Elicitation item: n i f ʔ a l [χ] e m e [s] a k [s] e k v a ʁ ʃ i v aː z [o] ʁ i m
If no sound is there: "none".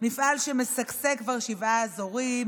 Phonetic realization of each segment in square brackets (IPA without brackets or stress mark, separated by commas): ʃ, s, s, o